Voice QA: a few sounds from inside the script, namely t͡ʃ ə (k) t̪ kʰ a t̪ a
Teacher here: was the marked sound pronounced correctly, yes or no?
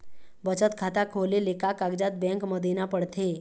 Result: no